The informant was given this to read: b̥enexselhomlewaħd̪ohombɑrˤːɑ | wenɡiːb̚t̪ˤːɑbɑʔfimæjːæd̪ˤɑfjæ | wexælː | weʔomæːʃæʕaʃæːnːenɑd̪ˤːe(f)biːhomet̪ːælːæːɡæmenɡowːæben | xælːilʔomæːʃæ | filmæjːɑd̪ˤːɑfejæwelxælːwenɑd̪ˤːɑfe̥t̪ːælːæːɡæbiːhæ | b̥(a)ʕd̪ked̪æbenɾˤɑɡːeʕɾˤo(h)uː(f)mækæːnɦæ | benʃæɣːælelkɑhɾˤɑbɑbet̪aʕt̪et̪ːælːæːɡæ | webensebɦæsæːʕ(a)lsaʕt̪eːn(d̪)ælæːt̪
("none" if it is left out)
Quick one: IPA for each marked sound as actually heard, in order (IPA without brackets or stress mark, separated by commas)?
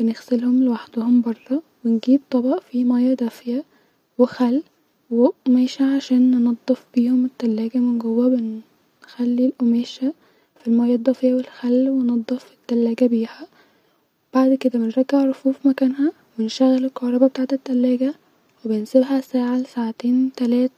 f, a, f, f, a, t̪